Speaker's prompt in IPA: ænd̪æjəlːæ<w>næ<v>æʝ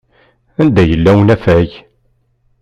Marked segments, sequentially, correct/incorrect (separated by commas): correct, incorrect